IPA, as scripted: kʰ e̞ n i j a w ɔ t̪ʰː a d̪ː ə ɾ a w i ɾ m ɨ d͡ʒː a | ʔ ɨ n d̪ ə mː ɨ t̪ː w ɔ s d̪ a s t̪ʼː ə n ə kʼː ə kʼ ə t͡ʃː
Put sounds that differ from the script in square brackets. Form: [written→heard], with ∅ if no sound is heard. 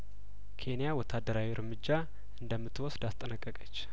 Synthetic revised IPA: kʰ e̞ n i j a w ɔ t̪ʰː a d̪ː ə ɾ a w i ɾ m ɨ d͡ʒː a | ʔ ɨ n d̪ ə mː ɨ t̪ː w ɔ s d̪ a s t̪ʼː ə n ə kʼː ə kʼ ə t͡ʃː